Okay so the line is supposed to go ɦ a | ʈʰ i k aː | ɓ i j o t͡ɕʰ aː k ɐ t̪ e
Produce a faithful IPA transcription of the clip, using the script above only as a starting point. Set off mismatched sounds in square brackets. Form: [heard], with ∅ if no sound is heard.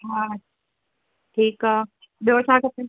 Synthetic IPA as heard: ɦ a | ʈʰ [iː] k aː | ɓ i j o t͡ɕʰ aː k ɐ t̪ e

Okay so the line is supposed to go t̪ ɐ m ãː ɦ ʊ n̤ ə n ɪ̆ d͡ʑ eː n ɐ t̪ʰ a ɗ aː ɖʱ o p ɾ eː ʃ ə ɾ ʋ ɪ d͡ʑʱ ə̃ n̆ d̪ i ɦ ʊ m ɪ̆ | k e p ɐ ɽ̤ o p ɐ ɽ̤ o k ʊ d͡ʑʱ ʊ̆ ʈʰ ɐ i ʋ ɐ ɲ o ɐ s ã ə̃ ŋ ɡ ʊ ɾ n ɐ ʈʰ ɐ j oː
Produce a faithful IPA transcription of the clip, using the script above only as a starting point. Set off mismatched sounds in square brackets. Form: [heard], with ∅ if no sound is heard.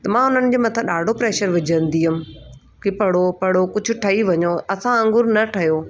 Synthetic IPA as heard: t̪ ɐ m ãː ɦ ʊ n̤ ə n ɪ̆ d͡ʑ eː [m] ɐ t̪ʰ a ɗ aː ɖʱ o p ɾ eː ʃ ə ɾ ʋ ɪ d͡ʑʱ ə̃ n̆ d̪ i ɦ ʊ m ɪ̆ | k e p ɐ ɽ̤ o p ɐ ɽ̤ o k ʊ d͡ʑʱ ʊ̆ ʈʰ ɐ i ʋ ɐ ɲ o ɐ s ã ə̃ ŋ ɡ ʊ ɾ n ɐ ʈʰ ɐ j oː

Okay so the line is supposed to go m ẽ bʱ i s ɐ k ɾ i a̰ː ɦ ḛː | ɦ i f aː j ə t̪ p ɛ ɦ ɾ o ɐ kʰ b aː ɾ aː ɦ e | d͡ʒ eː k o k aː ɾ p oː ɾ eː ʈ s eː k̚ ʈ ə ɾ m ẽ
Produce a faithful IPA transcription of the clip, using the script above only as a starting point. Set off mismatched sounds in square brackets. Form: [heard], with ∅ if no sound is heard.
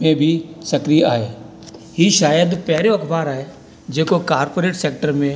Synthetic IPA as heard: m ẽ bʱ i s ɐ k ɾ i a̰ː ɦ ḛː | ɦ i [ʃ] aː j ə [d̪] p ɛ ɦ ɾ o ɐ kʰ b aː ɾ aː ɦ e | d͡ʒ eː k o k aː ɾ p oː ɾ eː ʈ s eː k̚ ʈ ə ɾ m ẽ

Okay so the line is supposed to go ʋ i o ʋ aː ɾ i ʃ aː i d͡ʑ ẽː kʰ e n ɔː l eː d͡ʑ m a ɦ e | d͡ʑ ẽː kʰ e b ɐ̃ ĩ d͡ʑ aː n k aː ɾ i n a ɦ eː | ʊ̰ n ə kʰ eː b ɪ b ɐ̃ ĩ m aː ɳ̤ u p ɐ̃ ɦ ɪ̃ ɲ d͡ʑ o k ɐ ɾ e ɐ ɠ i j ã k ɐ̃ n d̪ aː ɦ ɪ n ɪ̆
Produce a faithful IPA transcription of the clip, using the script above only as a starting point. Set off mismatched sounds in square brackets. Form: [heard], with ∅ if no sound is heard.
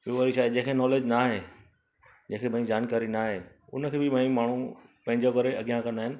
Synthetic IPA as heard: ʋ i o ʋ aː ɾ i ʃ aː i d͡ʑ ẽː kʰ e n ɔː l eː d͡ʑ [n] a ɦ e | d͡ʑ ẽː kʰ e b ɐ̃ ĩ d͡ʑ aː n k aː ɾ i n a ɦ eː | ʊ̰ n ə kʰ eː b ɪ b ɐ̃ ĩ m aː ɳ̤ u p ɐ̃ ɦ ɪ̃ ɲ d͡ʑ o k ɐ ɾ e ɐ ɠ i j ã k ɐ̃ n d̪ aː ɦ ɪ n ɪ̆

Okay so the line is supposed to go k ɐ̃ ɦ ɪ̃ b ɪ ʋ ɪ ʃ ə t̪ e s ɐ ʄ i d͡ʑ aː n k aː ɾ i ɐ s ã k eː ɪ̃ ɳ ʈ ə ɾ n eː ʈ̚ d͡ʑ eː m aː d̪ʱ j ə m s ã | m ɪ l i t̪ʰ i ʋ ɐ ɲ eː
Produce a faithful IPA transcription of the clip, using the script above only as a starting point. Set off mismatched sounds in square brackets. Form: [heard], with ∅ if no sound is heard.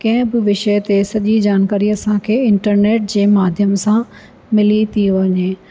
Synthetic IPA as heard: k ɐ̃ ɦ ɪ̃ b ɪ ʋ ɪ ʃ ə t̪ e s ɐ ʄ i d͡ʑ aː n k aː ɾ i ɐ s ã [kʰ] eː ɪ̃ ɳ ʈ ə ɾ n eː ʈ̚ d͡ʑ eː m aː d̪ʱ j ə m s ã | m ɪ l i t̪ʰ i ʋ ɐ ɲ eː

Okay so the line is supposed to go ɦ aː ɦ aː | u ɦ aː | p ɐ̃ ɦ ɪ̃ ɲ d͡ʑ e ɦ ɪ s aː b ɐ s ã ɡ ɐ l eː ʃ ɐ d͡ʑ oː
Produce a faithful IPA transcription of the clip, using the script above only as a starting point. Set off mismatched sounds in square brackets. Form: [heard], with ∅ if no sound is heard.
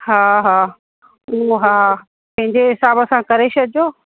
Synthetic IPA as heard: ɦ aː ɦ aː | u ɦ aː | p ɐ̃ ɦ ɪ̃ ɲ d͡ʑ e ɦ ɪ s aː b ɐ s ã [k] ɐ [ɾ] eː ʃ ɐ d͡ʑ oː

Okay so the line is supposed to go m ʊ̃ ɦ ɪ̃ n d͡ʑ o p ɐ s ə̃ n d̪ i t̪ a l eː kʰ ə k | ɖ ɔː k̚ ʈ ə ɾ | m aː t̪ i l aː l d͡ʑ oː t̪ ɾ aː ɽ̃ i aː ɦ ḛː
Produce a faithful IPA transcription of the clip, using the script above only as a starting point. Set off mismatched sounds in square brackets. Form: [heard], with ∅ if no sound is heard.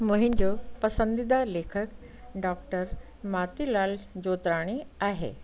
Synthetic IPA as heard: m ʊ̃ ɦ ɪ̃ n d͡ʑ o p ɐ s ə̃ n d̪ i [d̪] a l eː kʰ ə k | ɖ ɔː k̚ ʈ ə ɾ | m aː t̪ i l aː l d͡ʑ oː t̪ ɾ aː ɽ̃ i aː ɦ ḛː

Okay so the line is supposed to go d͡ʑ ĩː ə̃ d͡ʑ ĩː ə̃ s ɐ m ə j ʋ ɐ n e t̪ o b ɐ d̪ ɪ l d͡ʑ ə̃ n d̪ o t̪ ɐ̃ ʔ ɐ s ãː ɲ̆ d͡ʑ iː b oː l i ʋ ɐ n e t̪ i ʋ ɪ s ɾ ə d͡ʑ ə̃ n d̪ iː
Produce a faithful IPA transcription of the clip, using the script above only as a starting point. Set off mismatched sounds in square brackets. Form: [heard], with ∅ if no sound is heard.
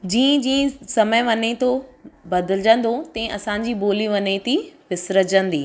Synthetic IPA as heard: d͡ʑ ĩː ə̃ d͡ʑ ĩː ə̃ s ɐ m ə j ʋ ɐ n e t̪ o b ɐ d̪ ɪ l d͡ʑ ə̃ n d̪ o t̪ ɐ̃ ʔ ɐ s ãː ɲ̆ d͡ʑ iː b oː l i ʋ ɐ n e t̪ i ʋ ɪ s ɾ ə d͡ʑ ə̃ n d̪ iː

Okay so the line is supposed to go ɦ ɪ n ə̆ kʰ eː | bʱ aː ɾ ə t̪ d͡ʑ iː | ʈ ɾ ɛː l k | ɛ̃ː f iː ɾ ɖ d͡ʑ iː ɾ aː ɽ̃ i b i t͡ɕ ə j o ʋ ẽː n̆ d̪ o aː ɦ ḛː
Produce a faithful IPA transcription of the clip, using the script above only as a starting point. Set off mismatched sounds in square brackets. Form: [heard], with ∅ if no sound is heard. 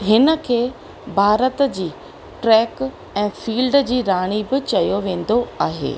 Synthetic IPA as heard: ɦ ɪ n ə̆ kʰ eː | bʱ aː ɾ ə t̪ d͡ʑ iː | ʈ ɾ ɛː [∅] k | ɛ̃ː f iː [l] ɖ d͡ʑ iː ɾ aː ɽ̃ i b [ɪ] t͡ɕ [ɐ] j o ʋ ẽː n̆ d̪ o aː ɦ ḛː

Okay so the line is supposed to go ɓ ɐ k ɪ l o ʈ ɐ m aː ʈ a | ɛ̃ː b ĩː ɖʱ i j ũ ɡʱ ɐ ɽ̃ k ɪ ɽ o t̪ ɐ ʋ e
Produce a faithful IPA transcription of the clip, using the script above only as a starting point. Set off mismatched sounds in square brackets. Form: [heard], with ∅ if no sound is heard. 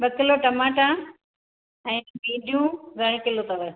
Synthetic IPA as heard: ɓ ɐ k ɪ l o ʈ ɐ m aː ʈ a | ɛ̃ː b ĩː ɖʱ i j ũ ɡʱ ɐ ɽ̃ k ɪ [l] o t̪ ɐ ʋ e

